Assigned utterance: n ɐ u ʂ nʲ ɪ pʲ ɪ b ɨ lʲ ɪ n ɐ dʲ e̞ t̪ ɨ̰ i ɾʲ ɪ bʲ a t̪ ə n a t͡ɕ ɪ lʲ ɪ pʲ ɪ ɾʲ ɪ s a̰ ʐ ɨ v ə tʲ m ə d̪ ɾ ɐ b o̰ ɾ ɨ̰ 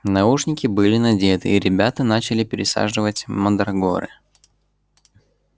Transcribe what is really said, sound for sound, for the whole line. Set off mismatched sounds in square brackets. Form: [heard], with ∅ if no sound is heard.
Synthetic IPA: n ɐ u ʂ nʲ ɪ [kʲ] ɪ b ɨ lʲ ɪ n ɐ dʲ e̞ t̪ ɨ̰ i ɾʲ ɪ bʲ a t̪ ə n a t͡ɕ ɪ lʲ ɪ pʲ ɪ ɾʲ ɪ s a̰ ʐ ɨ v ə tʲ m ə d̪ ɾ ɐ [ɡ] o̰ ɾ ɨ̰